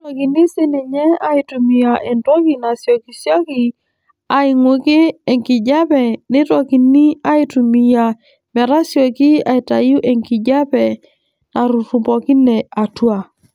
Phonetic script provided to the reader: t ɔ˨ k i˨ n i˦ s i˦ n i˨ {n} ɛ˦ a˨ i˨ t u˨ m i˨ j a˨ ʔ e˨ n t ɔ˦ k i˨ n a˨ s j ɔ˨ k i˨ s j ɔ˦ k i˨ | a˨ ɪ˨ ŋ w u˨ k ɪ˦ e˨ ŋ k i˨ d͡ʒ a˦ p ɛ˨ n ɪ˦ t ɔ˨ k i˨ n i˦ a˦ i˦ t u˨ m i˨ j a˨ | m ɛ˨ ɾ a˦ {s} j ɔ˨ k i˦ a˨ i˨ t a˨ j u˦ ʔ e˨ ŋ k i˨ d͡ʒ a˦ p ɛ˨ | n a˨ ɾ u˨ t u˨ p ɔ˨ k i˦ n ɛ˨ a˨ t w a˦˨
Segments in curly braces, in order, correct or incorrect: incorrect: ɲ, correct

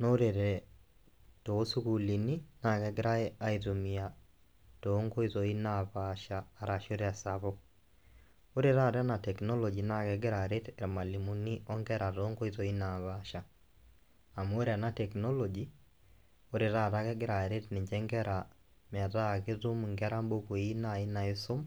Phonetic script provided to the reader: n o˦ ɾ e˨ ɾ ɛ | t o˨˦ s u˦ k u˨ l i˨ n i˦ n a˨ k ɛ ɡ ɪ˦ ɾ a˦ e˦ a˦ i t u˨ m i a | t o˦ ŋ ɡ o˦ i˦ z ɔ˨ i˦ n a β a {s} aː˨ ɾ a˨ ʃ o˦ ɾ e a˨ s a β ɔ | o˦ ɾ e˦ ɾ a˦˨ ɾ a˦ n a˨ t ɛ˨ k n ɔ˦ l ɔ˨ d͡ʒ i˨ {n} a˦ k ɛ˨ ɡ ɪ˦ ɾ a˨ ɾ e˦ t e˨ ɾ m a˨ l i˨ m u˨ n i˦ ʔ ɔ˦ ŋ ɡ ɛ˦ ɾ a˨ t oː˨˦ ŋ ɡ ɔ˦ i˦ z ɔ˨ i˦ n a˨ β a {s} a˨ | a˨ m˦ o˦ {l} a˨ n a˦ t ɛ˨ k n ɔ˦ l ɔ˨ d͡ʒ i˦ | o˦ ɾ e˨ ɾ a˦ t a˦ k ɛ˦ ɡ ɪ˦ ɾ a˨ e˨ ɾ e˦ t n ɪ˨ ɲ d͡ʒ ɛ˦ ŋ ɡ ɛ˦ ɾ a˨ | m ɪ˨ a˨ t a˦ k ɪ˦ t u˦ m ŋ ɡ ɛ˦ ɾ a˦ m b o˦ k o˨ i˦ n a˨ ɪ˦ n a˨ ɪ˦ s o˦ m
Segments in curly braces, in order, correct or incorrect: incorrect: ʃ, correct, incorrect: ʃ, incorrect: ɾ

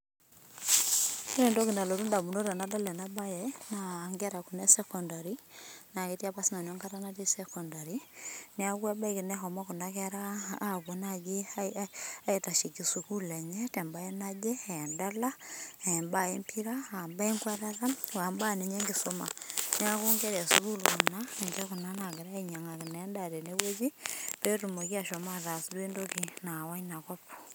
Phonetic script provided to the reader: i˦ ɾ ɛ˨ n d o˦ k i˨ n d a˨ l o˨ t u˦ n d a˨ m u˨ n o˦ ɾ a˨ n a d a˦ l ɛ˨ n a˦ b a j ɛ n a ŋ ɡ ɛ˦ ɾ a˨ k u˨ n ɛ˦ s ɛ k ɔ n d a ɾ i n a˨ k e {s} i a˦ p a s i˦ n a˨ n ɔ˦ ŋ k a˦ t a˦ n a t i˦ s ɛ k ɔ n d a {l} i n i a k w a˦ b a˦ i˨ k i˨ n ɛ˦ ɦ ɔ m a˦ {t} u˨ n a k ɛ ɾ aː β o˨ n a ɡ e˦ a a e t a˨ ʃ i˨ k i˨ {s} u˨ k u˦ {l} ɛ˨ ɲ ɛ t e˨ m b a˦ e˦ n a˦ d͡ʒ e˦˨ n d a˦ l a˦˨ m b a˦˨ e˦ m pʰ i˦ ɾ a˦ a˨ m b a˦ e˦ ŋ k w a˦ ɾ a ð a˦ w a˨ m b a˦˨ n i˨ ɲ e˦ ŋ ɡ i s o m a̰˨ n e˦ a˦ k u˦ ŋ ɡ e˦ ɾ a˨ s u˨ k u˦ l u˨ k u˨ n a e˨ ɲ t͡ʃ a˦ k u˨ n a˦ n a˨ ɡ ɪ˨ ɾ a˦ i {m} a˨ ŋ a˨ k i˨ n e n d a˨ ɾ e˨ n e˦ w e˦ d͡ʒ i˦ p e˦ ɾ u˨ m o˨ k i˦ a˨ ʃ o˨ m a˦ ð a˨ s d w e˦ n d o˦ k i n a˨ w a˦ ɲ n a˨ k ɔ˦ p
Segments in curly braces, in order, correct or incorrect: incorrect: t, incorrect: ɾ, incorrect: k, correct, correct, incorrect: ɲ

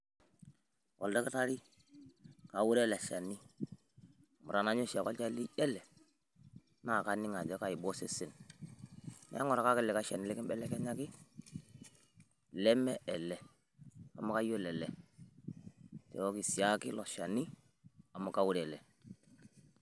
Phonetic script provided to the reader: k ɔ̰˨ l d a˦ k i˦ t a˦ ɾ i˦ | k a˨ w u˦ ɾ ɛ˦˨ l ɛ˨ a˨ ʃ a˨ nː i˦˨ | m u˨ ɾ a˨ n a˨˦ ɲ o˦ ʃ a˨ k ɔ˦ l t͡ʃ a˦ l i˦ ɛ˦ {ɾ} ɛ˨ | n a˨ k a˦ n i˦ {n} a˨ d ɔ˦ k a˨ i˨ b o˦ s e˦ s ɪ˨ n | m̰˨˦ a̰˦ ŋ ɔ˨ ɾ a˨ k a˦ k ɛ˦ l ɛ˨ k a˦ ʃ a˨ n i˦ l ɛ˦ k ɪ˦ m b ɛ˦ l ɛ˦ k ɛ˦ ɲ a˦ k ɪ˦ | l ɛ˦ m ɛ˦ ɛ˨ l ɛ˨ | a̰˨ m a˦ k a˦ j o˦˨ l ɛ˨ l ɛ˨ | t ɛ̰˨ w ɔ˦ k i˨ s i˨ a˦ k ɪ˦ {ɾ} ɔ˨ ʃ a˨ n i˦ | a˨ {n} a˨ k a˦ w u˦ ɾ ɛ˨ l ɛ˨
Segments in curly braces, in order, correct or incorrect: incorrect: l, incorrect: ŋ, incorrect: l, incorrect: m

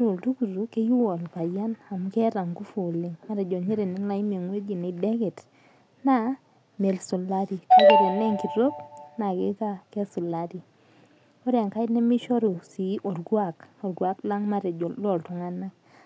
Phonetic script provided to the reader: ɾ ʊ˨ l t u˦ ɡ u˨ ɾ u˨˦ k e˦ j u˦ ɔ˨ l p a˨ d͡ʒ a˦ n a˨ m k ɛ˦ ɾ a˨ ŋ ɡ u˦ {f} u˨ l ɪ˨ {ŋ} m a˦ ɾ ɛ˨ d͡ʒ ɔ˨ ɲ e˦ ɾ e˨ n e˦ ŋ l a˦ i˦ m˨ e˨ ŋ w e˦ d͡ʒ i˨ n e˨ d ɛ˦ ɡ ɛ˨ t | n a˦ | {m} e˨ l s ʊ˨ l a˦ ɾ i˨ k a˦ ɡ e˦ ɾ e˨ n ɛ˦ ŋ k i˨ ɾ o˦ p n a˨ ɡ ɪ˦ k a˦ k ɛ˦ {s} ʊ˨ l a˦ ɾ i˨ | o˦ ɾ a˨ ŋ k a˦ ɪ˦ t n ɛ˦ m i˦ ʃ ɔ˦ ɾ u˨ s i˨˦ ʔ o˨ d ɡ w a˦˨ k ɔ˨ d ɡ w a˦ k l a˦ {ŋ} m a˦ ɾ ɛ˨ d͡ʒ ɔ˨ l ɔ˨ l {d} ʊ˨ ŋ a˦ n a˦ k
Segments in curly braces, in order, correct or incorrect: correct, correct, correct, correct, correct, incorrect: t

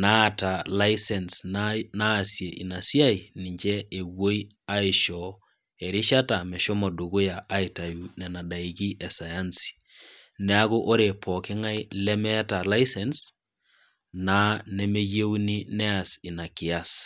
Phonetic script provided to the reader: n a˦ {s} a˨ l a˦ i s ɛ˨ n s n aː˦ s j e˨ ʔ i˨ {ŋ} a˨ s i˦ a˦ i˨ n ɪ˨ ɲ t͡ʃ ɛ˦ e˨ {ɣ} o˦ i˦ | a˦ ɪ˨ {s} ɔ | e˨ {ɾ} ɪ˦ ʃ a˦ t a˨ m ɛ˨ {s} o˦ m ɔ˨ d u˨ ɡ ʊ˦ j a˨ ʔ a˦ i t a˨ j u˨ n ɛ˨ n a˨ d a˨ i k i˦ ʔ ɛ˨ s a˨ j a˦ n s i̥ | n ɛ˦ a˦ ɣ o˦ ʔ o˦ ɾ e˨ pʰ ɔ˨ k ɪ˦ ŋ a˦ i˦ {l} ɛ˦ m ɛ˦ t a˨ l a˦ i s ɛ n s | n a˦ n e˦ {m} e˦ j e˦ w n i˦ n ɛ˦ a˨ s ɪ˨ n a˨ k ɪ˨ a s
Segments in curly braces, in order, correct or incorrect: incorrect: t, incorrect: n, incorrect: w, incorrect: ʃ, correct, incorrect: ʃ, correct, correct

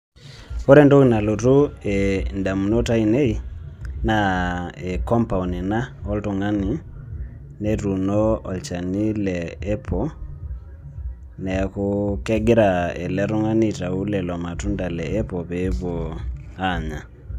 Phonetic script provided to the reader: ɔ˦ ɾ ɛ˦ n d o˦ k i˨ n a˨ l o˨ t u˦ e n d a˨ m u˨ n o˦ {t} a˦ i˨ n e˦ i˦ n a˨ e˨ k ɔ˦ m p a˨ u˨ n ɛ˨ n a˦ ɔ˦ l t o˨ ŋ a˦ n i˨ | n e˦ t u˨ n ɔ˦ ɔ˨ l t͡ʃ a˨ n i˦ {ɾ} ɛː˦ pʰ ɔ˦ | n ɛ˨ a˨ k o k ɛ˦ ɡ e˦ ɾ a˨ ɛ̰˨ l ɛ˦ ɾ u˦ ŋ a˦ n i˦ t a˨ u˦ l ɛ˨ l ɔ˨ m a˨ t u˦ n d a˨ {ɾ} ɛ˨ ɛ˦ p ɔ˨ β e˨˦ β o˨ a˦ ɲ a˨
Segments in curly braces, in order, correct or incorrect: correct, incorrect: l, incorrect: l

